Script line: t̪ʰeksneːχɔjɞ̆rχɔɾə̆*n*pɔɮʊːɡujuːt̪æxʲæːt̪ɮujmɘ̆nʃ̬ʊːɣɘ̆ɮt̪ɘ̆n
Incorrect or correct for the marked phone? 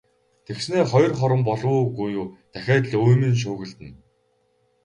incorrect: m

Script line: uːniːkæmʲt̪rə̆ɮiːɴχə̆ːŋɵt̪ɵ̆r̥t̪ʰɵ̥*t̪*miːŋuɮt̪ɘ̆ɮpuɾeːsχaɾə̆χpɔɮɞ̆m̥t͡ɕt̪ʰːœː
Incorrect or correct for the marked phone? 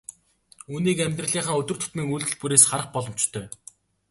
correct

